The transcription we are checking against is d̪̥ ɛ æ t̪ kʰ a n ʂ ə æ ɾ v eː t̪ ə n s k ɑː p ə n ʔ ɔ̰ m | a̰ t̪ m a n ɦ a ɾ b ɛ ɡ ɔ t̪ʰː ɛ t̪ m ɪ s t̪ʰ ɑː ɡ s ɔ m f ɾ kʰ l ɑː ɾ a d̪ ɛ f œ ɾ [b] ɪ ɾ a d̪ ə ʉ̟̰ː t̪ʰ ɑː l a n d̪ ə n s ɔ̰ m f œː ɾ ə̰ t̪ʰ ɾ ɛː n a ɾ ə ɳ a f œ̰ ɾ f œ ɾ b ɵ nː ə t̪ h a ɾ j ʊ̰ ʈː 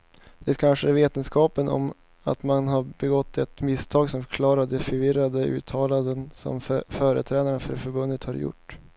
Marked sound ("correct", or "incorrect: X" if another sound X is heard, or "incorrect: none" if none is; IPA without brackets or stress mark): incorrect: v